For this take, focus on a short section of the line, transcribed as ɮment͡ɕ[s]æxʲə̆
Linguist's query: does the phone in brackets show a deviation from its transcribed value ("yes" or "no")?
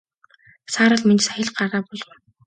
no